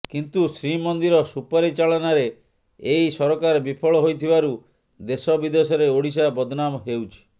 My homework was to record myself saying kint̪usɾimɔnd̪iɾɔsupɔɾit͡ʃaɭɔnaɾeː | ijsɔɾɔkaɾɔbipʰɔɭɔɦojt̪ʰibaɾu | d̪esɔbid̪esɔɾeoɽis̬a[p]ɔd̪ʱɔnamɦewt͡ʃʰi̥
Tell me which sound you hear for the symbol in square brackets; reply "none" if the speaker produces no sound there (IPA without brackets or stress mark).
b